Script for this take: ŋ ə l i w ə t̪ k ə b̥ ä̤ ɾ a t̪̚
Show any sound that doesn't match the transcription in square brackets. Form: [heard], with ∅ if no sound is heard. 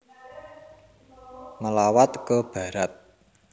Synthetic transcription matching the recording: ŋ ə l [a] w [a] t̪ k ə b̥ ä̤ ɾ a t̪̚